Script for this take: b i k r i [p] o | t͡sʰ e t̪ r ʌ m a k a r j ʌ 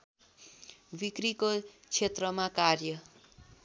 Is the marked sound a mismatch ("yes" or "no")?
yes